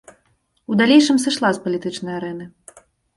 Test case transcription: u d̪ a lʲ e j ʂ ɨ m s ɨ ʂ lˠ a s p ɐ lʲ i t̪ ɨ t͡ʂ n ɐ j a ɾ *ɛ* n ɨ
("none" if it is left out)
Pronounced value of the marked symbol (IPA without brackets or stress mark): ɛ